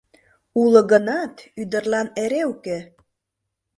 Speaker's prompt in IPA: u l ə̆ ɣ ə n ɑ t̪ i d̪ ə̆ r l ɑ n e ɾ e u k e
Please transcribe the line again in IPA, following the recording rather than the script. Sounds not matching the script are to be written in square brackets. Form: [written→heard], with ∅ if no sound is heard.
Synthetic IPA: u l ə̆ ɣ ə n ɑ t̪ [i→y] d̪ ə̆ r l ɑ n e ɾ e u k e

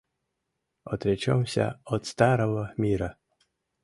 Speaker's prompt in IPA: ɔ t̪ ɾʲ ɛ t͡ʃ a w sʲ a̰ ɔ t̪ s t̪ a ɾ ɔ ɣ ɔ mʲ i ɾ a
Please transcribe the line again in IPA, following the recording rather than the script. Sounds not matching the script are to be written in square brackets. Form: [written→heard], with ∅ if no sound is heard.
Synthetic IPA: ɔ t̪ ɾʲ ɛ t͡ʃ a w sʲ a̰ ɔ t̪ s t̪ a ɾ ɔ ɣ ɔ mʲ i ɾ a

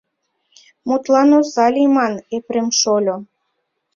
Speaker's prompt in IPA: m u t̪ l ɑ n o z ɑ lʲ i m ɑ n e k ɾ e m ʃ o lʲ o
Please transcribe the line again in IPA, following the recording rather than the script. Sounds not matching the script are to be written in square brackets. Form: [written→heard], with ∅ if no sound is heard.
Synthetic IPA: m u t̪ l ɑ n o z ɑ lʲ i m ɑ n e [k→p] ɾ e m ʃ o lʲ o

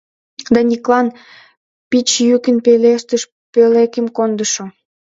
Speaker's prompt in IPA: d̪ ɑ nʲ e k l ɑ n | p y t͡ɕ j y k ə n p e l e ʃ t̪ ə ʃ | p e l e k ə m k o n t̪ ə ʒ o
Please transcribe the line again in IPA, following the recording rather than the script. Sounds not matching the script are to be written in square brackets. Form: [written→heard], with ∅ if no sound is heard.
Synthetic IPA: d̪ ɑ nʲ [e→i] k l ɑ n | p [y→i] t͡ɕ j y k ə n p e l e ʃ t̪ ə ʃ | p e l e k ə m k o n [t̪→d̪] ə [ʒ→ʃ] o

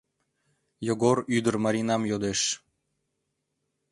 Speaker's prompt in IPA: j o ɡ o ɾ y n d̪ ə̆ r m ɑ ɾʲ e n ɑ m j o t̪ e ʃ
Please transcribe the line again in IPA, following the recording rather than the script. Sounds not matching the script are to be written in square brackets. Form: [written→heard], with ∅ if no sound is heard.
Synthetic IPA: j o ɡ o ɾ y [n→∅] d̪ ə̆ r m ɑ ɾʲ [e→i] n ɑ m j o [t̪→d̪] e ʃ

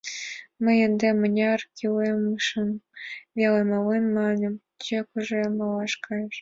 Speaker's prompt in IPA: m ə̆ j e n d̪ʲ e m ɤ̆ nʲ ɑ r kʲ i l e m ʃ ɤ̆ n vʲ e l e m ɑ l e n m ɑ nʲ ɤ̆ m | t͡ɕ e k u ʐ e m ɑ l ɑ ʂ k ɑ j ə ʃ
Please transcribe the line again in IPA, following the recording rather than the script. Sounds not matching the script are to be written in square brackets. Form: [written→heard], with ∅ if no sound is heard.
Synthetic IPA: m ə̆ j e n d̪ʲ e m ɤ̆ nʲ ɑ r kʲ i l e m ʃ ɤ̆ n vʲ e l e m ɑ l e n m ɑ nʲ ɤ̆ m | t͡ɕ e k u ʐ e m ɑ l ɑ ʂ k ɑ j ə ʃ

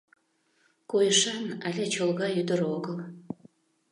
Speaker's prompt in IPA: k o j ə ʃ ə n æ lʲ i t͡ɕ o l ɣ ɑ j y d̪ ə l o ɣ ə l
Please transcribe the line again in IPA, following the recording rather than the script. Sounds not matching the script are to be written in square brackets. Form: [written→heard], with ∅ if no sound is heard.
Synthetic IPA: k o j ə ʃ [ə→ɑ] n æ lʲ [i→e] t͡ɕ o l ɣ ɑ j y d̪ ə [l→ɾ] o ɣ ə l

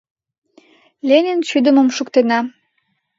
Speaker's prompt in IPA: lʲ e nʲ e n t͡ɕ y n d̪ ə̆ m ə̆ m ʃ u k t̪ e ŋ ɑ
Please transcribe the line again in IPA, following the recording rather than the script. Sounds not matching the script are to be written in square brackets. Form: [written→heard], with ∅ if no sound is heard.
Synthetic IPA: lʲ e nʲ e n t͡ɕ y [n→∅] d̪ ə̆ m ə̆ m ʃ u k t̪ e [ŋ→n] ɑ

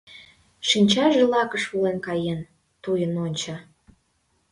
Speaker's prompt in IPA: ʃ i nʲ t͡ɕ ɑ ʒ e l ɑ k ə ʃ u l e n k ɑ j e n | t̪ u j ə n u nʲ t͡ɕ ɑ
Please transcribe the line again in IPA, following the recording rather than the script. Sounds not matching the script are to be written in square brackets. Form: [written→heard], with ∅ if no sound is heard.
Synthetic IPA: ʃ i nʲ t͡ɕ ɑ ʒ e l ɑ k ə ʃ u l e n k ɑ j e n | t̪ u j ə n [u→o] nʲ t͡ɕ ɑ

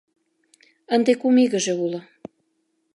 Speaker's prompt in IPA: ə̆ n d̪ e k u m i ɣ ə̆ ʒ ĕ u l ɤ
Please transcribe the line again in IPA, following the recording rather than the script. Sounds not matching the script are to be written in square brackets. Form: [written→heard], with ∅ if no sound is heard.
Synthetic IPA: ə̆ n d̪ e k u m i ɣ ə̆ ʒ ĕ u l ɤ

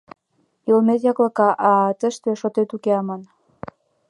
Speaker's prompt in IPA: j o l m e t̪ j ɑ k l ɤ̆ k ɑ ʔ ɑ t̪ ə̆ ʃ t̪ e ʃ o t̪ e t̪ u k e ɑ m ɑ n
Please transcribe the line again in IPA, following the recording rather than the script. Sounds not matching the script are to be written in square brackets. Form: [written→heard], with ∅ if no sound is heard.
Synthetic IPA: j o l m e t̪ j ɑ k l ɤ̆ k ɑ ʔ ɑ t̪ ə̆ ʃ t̪ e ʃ o t̪ e t̪ u k e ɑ m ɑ n

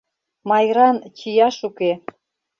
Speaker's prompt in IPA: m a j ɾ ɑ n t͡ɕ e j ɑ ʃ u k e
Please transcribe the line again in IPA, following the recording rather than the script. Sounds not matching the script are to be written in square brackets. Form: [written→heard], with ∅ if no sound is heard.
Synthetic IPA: m [a→ɑ] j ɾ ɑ n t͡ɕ [e→i] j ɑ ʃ u k e

